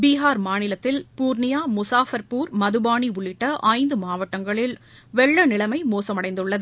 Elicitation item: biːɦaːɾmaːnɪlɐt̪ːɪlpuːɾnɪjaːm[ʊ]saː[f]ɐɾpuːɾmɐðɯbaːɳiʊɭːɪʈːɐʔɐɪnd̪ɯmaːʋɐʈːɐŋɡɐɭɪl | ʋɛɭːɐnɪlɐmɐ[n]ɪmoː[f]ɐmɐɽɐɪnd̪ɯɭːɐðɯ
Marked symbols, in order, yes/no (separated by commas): yes, yes, no, no